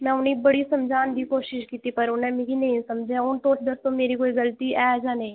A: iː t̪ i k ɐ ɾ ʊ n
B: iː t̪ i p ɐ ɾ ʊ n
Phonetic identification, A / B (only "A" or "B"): B